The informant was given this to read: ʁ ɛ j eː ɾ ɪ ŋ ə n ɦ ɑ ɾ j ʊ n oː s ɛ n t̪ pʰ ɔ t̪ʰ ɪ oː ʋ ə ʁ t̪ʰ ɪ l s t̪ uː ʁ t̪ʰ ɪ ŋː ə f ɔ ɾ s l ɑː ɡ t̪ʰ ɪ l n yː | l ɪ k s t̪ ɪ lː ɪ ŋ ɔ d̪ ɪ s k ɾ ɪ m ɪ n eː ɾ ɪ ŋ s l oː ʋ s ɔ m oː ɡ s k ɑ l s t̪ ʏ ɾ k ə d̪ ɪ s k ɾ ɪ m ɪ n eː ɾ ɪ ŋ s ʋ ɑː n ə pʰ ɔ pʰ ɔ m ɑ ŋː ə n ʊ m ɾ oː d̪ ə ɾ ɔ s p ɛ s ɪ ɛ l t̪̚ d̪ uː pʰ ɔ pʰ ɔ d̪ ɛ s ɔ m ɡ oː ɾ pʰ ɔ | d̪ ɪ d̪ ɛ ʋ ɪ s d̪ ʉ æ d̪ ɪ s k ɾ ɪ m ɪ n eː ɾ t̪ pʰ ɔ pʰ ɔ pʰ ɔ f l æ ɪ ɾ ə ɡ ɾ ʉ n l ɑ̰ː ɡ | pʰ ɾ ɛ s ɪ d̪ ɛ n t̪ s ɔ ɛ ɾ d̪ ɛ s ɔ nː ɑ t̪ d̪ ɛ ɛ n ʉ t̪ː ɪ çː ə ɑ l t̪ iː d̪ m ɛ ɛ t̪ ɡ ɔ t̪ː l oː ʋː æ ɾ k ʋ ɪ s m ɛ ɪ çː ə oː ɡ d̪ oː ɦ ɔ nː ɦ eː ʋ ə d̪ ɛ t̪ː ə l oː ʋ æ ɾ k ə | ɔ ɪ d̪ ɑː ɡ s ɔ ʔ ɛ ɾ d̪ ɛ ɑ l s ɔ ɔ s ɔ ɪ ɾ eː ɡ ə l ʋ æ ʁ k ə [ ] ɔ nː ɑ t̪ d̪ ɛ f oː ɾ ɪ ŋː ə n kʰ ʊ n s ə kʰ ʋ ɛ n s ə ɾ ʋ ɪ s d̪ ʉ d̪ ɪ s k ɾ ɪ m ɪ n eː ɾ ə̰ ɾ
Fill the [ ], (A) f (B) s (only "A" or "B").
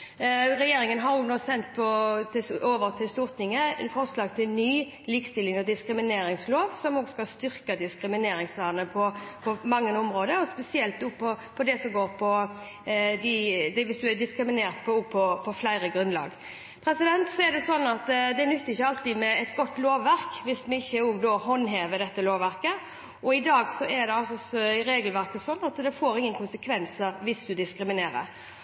B